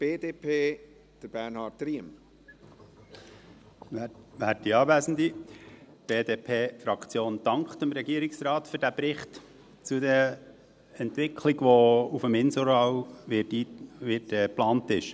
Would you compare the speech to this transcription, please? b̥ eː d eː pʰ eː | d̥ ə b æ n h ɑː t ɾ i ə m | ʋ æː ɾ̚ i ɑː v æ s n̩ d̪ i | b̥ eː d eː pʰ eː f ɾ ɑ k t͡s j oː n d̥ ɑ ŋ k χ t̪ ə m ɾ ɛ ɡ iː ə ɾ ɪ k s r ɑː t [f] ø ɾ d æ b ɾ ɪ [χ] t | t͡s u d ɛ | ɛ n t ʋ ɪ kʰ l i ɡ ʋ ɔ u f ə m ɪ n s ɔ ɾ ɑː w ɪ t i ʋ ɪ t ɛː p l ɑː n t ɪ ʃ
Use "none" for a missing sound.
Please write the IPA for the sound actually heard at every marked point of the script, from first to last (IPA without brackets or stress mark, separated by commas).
f, χ